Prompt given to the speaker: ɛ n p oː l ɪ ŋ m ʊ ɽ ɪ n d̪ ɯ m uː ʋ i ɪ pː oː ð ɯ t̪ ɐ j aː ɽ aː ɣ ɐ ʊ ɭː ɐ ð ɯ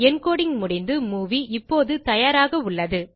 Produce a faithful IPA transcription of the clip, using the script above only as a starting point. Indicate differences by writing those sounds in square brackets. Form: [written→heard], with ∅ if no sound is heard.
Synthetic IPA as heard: ɛ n [p→k] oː [l→ɽ] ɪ ŋ m ʊ ɽ ɪ n d̪ ɯ m uː ʋ i ɪ pː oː ð ɯ t̪ ɐ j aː [ɽ→ɾ] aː ɣ ɐ ʊ ɭː ɐ ð ɯ